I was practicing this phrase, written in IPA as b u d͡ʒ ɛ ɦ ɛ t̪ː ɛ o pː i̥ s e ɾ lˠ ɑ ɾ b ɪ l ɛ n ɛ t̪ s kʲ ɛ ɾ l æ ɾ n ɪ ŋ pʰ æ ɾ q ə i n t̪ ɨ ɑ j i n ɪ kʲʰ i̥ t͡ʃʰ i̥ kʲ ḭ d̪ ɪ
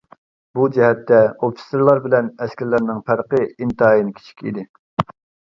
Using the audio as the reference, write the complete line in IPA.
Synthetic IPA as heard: b u d͡ʒ ɛ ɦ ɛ t̪ː ɛ o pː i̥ s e ɾ lˠ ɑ ɾ b ɪ l ɛ n ɛ s kʲ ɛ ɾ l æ ɾ n ɪ ŋ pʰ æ ɾ q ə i n t̪ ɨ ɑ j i n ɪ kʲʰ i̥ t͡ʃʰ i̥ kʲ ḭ d̪ ɪ